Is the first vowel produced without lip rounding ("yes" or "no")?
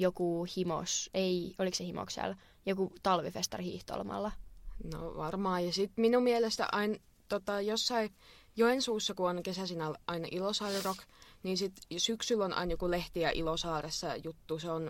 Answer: no